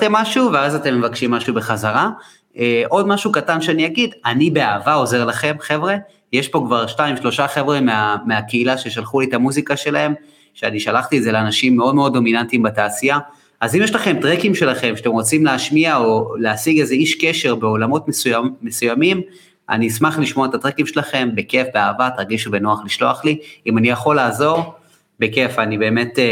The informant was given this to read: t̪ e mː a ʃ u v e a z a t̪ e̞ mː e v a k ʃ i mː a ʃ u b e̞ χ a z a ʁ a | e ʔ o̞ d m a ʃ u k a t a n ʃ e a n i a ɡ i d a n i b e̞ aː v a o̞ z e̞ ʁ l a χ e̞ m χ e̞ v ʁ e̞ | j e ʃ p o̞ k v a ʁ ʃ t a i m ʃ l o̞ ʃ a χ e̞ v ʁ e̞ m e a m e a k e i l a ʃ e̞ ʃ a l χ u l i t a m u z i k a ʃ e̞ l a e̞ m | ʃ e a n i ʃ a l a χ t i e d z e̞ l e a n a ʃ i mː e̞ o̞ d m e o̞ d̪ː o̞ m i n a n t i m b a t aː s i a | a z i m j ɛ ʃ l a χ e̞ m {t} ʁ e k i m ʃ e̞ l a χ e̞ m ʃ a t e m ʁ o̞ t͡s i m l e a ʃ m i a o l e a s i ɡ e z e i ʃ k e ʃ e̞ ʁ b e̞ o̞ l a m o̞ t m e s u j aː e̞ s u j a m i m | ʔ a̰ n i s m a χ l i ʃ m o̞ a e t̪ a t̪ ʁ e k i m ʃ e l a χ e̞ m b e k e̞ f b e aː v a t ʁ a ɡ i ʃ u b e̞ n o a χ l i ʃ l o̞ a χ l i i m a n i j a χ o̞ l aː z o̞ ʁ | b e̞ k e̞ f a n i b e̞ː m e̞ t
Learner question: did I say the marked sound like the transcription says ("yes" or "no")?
yes